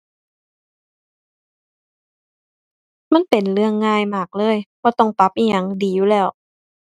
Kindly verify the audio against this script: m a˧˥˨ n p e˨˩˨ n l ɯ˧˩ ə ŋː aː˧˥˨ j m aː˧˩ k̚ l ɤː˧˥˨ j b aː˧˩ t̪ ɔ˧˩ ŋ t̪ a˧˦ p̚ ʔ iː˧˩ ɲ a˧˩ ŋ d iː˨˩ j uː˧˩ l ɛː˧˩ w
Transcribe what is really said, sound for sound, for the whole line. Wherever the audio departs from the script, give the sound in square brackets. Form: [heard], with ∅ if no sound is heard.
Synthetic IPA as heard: m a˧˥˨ n p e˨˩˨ n l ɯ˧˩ ə ŋː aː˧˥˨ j m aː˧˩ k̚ l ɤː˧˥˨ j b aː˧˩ t̪ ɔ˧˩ ŋ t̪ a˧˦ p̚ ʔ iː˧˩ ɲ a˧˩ ŋ d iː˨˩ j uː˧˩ l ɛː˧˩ w